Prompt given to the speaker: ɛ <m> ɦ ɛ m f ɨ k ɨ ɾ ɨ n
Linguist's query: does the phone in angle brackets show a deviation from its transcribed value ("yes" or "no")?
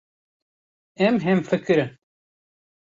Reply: no